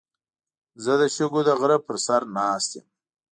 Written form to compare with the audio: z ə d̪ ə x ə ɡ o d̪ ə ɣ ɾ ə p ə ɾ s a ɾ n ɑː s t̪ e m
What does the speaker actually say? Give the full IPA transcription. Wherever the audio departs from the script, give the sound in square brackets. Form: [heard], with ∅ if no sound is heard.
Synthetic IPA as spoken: z ə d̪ ə [ʃ] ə ɡ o d̪ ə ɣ ɾ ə p ə ɾ s a ɾ n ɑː s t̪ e m